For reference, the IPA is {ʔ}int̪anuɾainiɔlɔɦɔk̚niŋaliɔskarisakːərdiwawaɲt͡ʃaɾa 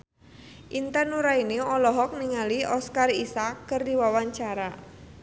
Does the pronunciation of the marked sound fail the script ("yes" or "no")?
no